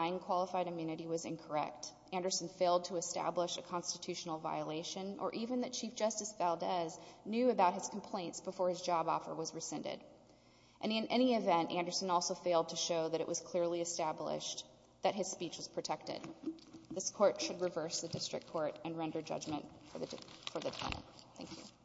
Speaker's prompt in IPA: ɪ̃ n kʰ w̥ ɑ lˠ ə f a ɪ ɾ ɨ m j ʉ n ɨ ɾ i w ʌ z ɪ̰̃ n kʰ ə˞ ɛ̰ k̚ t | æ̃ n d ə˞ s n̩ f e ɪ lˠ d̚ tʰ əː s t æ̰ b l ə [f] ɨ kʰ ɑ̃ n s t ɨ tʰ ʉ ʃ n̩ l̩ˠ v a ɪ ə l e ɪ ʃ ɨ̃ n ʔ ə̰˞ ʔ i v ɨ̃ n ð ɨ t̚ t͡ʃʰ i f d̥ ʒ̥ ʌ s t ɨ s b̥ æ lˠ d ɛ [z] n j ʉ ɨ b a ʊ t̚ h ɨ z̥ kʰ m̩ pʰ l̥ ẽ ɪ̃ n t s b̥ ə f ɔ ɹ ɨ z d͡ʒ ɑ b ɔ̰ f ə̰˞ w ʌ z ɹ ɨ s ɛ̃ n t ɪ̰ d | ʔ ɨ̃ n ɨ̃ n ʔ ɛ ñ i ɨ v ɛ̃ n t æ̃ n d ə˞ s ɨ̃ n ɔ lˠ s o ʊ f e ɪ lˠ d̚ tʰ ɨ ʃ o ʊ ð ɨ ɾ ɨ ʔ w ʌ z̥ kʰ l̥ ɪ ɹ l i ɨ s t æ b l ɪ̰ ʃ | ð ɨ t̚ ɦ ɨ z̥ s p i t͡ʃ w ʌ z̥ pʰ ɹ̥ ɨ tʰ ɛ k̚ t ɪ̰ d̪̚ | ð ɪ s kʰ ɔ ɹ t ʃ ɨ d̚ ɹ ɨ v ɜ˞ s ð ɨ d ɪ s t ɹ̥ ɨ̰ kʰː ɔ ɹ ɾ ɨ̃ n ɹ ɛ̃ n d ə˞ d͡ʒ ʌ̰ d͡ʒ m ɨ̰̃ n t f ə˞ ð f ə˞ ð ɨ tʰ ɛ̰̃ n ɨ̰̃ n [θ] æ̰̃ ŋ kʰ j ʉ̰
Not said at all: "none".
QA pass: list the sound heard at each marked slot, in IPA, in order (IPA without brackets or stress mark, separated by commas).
ʃ, z, θ